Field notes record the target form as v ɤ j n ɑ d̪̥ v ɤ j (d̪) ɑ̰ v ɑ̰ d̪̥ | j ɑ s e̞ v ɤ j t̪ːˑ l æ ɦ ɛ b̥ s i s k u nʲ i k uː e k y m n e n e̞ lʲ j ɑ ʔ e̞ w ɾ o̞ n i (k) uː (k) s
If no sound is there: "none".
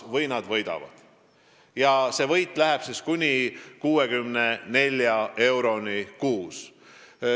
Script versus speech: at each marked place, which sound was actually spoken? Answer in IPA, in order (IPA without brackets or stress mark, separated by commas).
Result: d̪, k, none